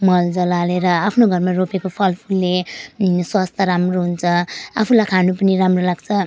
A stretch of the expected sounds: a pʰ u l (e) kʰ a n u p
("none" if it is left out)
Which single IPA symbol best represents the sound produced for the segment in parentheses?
a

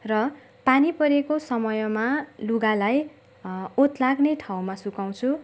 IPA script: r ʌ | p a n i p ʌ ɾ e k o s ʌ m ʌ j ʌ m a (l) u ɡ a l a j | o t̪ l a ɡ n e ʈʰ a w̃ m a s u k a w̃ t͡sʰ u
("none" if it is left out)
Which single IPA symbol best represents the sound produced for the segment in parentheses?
l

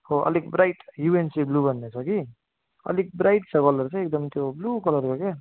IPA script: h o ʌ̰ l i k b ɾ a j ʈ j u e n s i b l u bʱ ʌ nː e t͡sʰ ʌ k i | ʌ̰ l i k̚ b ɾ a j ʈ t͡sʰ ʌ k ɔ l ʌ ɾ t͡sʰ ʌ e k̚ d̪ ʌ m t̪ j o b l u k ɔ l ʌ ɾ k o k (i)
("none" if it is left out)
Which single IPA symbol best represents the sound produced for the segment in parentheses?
e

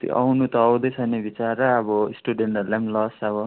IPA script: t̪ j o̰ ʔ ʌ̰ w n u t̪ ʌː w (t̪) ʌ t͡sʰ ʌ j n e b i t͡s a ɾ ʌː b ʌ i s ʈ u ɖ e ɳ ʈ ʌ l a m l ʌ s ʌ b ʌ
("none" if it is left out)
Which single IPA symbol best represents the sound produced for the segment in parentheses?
d̪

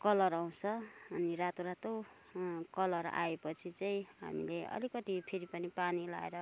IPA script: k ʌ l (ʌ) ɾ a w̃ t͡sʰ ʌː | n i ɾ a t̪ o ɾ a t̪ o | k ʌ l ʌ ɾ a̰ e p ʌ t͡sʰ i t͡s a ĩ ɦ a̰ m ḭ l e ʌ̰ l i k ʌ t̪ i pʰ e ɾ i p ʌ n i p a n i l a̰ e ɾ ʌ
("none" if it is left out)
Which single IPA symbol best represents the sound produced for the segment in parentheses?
ʌ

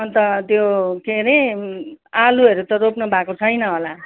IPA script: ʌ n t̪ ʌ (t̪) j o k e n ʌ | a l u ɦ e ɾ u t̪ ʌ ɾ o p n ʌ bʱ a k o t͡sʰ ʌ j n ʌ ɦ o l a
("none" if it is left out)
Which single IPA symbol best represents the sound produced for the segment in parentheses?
t̪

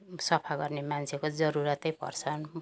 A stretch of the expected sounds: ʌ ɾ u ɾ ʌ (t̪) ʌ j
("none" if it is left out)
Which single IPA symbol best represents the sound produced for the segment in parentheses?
t̪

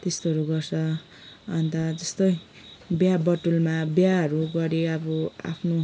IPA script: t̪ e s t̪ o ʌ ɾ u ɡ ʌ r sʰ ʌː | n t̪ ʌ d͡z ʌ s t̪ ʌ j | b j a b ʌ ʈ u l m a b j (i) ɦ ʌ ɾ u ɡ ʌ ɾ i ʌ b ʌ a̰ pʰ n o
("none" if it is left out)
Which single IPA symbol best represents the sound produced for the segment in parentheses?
a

